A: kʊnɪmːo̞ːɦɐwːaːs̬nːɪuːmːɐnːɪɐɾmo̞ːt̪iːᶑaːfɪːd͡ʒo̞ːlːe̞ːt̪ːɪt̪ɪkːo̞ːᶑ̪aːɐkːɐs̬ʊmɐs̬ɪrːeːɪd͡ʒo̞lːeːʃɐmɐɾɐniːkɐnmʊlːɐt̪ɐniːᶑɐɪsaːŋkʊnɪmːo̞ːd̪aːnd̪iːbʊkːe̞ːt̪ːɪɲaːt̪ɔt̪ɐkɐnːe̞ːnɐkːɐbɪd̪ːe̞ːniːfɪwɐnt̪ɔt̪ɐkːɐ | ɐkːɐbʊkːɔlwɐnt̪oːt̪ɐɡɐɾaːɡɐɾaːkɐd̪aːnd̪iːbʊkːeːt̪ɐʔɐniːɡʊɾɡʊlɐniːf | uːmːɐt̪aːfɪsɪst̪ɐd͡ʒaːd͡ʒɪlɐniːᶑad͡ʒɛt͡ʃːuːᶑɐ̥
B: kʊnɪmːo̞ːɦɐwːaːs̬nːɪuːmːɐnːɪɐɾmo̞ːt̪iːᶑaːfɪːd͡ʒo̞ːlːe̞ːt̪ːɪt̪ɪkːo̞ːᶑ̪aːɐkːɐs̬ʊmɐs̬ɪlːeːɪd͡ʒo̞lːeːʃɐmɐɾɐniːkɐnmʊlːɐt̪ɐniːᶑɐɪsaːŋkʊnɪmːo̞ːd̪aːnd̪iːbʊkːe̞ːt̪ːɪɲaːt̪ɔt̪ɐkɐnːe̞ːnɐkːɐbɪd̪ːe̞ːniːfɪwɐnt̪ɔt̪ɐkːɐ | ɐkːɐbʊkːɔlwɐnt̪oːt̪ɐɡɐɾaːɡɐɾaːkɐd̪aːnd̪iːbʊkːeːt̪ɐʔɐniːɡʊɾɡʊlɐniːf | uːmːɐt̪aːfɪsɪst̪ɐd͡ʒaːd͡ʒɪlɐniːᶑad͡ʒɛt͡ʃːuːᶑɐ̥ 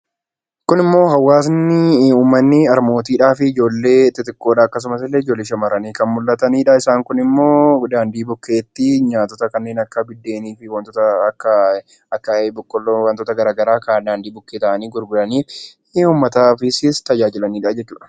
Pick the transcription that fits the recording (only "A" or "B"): B